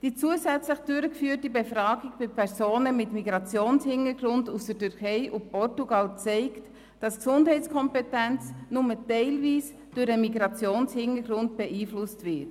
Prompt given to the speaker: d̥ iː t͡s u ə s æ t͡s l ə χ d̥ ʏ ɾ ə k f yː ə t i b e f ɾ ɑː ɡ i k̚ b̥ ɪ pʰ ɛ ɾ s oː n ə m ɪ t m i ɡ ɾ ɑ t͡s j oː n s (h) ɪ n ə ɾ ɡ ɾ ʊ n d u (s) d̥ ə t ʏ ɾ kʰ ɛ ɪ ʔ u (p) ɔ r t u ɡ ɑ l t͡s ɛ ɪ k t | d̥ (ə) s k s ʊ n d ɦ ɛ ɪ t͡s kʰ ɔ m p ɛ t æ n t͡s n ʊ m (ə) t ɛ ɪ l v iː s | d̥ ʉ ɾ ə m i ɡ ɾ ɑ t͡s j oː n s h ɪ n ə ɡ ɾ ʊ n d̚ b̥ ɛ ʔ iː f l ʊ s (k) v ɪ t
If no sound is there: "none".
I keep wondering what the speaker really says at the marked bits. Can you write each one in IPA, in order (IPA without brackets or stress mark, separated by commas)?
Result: h, s, p, ɑ, ə, t